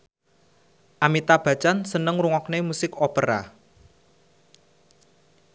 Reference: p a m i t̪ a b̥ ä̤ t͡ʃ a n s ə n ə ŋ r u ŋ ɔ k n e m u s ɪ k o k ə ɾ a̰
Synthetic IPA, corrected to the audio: ʔ a m i t̪ a b̥ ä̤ t͡ʃ a n s ə n ə ŋ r u ŋ ɔ k n e m u s ɪ k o p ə ɾ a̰